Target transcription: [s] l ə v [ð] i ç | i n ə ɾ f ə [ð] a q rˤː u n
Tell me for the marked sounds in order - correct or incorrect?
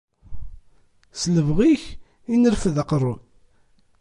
correct, incorrect: ʁ, correct

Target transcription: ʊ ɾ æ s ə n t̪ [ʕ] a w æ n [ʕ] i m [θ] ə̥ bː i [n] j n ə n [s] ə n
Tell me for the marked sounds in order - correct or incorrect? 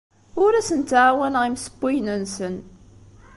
correct, incorrect: ʁ, incorrect: s, incorrect: none, correct

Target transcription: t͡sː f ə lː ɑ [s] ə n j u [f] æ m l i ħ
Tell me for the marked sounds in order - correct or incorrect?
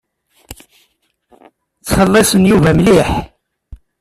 correct, incorrect: v

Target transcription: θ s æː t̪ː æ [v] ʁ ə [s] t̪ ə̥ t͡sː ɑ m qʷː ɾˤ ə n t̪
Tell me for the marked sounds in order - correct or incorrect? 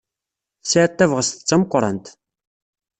correct, correct

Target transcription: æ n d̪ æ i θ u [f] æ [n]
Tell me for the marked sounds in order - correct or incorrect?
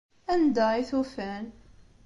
correct, correct

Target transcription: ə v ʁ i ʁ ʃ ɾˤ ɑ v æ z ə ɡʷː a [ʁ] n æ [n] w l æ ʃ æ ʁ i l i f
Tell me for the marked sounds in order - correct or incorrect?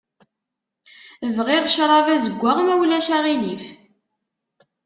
correct, incorrect: none

